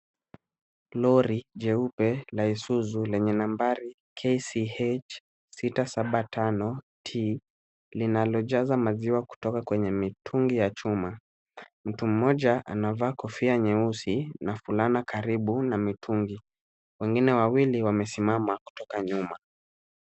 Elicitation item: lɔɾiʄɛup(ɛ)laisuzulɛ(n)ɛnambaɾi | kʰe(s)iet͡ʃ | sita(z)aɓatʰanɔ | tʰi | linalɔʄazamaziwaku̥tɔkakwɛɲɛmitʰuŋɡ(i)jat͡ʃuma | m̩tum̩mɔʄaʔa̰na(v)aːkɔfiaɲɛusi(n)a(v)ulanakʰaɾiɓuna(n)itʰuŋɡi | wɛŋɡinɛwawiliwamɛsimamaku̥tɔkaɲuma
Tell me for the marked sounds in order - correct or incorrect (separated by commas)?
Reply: correct, incorrect, correct, incorrect, correct, correct, correct, incorrect, incorrect